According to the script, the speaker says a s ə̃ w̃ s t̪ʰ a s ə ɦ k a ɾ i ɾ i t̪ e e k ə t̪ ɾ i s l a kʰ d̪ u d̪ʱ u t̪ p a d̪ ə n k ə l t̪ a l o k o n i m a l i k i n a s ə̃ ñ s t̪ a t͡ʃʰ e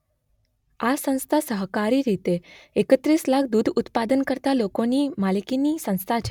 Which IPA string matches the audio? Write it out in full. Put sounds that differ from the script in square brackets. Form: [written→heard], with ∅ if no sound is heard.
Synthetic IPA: a s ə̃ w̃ s t̪ʰ a s ə ɦ k a ɾ i ɾ i t̪ e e k ə t̪ ɾ i s l a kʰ d̪ u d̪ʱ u t̪ p a d̪ ə n k ə [l→ɾ] t̪ a l o k o n i m a l i k i n [a→i] s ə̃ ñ s [t̪→t̪ʰ] a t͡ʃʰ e